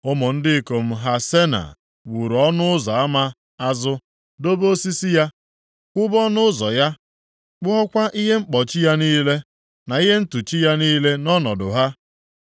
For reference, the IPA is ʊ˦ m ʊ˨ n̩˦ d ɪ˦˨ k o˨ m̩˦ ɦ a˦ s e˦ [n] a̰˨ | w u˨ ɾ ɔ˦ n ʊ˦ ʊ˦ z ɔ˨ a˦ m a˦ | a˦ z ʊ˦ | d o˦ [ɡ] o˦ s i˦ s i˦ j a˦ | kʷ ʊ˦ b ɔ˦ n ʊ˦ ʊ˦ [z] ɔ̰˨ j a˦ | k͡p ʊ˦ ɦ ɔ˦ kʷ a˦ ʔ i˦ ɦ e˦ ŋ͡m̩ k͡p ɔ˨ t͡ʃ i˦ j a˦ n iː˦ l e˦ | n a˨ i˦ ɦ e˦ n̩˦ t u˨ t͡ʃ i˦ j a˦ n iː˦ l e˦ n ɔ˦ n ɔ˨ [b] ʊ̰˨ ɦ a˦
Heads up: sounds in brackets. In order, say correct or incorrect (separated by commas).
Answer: correct, incorrect, correct, incorrect